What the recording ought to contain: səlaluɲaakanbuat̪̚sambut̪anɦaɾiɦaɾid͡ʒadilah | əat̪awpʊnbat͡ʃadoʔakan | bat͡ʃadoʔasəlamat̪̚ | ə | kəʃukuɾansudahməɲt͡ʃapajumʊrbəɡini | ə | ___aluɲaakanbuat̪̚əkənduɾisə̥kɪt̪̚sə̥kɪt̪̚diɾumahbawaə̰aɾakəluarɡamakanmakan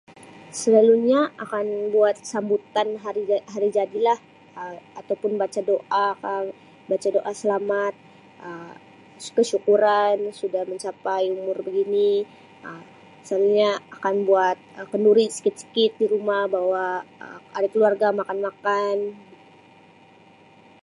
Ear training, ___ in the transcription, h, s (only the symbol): s